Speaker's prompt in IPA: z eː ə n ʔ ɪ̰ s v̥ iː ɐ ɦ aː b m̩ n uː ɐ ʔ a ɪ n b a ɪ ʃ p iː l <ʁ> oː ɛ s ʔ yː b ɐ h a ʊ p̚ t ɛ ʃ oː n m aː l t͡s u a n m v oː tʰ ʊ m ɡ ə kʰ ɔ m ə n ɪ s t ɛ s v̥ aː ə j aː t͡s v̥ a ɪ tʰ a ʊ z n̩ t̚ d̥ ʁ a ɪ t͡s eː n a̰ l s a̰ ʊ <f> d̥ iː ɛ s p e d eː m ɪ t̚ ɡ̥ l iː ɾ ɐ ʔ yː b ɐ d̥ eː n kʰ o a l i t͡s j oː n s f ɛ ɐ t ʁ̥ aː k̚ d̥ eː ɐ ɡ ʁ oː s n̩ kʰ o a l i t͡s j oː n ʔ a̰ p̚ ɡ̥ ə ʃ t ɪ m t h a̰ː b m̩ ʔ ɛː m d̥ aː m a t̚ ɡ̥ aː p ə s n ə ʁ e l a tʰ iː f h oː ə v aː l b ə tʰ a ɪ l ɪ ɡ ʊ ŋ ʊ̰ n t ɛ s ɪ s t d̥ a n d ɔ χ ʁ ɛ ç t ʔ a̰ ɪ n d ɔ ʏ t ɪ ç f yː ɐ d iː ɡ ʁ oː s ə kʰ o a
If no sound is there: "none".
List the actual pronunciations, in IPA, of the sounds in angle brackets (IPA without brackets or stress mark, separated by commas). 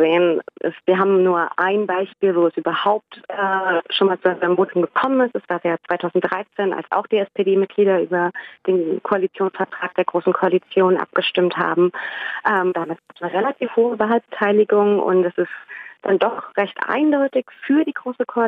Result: v, x